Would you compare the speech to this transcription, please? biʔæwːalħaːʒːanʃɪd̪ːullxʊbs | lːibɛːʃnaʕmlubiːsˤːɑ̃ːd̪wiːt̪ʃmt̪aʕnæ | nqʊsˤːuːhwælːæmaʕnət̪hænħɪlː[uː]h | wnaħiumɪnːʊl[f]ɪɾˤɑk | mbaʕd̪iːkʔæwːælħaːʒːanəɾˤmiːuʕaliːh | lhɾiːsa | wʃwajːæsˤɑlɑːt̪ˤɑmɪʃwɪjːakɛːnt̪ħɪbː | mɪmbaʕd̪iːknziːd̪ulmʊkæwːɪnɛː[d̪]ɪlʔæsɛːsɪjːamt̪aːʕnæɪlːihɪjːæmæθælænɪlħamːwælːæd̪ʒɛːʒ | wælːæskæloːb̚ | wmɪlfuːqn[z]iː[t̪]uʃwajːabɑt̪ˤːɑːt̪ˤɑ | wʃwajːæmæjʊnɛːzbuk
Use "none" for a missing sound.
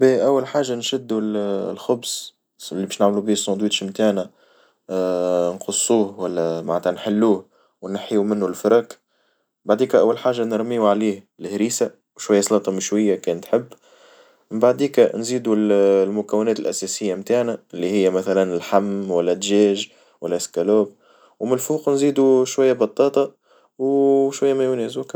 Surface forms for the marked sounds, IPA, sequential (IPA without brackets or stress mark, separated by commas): uː, f, t̪, z, d̪